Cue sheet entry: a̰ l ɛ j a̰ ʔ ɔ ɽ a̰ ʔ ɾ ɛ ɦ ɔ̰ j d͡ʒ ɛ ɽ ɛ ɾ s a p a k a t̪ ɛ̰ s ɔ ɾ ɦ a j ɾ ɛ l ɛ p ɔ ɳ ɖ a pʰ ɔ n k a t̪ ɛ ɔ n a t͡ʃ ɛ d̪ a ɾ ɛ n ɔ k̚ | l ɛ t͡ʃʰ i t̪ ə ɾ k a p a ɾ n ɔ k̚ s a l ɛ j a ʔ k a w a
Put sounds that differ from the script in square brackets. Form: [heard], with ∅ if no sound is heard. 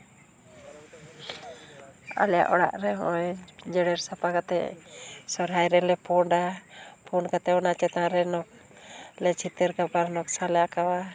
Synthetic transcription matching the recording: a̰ l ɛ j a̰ ʔ ɔ ɽ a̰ ʔ ɾ ɛ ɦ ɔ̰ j d͡ʒ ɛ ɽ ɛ ɾ s a p a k a t̪ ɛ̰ s ɔ ɾ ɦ a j ɾ ɛ l ɛ p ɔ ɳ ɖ a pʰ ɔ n k a t̪ ɛ ɔ n a t͡ʃ ɛ [t̪] a ɾ ɛ n ɔ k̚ | l ɛ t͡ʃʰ i t̪ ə ɾ k a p a ɾ n ɔ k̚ s a l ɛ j a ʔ k a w a